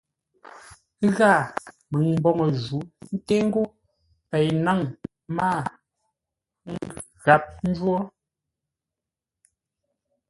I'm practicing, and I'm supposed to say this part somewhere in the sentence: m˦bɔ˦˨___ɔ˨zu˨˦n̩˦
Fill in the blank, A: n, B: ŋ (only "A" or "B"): B